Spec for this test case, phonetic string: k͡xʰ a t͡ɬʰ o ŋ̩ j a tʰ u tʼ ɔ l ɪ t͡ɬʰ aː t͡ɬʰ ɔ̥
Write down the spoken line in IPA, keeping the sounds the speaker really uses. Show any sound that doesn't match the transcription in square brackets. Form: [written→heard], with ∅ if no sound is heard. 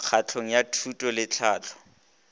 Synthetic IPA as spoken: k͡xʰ a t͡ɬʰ o ŋ̩ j a tʰ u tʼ ɔ l ɪ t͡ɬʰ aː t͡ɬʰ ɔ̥